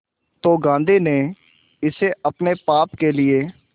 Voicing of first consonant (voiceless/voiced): voiceless